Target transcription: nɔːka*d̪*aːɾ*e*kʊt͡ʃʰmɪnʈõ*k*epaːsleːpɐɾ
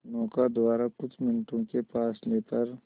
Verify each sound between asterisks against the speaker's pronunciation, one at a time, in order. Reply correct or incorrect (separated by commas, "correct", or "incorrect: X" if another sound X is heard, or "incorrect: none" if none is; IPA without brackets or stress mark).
correct, incorrect: a, correct